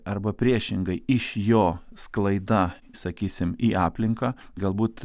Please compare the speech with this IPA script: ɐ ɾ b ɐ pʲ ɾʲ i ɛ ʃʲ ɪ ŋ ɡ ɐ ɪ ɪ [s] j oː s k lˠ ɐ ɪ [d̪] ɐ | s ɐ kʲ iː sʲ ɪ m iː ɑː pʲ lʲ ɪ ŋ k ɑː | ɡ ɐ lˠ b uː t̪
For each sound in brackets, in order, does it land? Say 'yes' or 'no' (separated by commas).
no, yes